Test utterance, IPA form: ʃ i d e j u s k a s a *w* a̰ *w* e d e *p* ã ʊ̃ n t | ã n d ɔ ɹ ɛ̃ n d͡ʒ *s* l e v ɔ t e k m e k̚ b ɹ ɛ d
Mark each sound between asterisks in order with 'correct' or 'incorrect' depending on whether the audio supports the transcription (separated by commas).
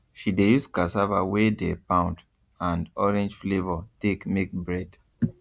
incorrect, correct, correct, incorrect